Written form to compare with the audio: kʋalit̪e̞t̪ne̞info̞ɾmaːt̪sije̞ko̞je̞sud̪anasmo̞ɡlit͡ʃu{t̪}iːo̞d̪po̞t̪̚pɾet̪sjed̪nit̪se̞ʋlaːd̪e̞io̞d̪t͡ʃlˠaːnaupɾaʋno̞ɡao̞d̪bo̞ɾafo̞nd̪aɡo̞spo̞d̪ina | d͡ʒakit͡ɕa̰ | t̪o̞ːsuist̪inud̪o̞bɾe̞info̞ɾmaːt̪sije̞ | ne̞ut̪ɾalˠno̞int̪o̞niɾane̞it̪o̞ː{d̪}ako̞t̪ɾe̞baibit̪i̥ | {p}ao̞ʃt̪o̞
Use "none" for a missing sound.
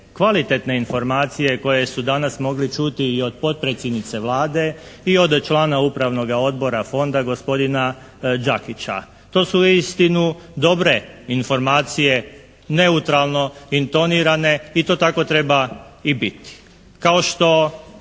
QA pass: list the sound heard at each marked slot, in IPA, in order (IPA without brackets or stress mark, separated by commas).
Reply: t̪, t̪, k